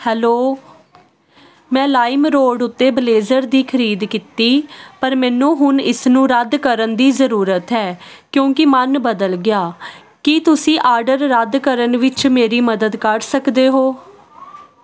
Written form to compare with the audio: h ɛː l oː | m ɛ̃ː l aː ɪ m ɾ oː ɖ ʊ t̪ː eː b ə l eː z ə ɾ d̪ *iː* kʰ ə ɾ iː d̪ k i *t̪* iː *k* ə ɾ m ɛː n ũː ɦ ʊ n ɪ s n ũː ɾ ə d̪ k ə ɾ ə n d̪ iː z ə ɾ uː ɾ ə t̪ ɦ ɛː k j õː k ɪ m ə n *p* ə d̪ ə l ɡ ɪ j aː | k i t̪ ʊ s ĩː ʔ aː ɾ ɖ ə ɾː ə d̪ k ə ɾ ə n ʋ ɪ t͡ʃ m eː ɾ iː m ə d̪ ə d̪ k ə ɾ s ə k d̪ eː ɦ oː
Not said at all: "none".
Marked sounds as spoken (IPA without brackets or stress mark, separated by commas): iː, t̪, p, b